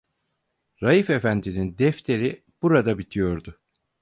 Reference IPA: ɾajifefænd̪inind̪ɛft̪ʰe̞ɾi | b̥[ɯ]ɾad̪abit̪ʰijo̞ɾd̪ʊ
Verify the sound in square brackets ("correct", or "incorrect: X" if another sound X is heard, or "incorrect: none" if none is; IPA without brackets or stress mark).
incorrect: u